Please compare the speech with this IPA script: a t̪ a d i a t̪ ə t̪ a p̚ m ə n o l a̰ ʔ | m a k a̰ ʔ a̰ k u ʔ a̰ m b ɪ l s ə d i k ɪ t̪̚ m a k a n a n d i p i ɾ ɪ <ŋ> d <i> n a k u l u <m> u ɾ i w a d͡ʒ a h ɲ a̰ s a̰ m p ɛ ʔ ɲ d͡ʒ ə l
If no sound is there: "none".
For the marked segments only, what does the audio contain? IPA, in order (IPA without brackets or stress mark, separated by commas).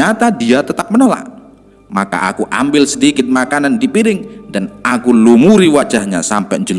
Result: ŋ, a, m